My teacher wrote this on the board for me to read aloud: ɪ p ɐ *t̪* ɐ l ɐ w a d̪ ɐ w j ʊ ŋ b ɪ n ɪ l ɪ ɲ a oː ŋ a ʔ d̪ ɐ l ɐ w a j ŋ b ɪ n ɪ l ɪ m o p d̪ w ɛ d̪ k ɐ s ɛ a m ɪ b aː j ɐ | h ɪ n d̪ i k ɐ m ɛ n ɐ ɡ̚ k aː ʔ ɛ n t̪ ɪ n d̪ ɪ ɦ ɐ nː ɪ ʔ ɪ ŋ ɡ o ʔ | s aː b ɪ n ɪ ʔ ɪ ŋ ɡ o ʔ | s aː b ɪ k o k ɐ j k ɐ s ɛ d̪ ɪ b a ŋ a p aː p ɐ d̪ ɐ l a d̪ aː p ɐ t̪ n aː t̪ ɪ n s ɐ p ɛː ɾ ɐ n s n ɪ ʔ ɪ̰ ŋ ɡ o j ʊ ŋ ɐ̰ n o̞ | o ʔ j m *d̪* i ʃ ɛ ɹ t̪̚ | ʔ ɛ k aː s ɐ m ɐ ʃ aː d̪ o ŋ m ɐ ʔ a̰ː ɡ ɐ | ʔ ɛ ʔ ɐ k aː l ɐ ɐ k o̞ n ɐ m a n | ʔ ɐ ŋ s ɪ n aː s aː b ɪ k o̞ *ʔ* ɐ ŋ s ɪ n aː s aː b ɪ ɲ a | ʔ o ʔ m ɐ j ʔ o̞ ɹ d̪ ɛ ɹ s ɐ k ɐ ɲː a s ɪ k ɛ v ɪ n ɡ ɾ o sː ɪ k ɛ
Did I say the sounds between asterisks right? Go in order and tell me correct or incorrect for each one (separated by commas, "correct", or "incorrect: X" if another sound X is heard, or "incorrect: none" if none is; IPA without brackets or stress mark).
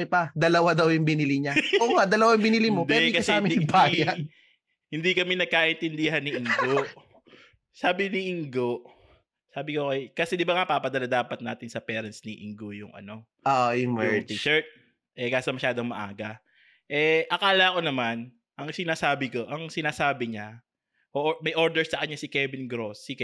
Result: incorrect: d̪, incorrect: t̪, correct